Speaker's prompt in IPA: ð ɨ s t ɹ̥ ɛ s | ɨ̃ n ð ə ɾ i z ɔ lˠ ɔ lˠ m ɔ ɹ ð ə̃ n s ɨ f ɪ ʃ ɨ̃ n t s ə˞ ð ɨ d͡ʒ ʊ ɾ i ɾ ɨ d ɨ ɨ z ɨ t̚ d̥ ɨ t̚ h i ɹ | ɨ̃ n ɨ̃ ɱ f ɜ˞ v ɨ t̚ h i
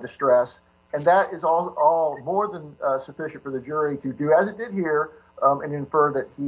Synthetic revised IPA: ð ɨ s t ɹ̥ ɛ s | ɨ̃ n ð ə ɾ ɪ z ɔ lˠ ɔ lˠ m ɔ ɹ ð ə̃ n s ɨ f ɪ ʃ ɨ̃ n t f ə˞ ð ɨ d͡ʒ ʊ ɹ i ɾ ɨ d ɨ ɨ z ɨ t̚ d̥ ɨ d̚ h i ɹ | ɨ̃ n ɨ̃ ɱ f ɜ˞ ð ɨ t̚ h i